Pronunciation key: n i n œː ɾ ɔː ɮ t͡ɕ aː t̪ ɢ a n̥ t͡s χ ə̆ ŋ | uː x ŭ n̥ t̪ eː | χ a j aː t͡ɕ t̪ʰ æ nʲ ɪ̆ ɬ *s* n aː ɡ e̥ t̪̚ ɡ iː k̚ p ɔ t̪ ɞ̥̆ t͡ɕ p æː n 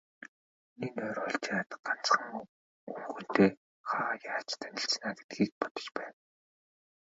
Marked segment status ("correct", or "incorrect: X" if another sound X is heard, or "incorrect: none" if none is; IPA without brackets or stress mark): incorrect: t͡s